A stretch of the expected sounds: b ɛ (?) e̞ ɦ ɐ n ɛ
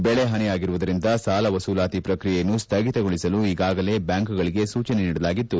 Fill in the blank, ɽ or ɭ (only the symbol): ɭ